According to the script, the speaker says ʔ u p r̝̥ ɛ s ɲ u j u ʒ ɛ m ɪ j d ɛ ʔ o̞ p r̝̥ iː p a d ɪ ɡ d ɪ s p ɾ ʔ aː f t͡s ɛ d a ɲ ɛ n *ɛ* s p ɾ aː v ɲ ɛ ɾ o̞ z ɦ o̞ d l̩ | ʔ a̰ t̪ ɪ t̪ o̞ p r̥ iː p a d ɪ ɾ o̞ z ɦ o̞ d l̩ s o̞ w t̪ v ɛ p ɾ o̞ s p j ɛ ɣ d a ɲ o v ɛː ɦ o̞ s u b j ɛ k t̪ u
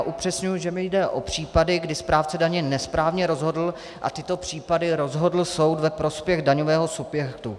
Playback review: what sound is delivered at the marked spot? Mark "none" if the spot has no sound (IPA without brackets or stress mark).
ɛ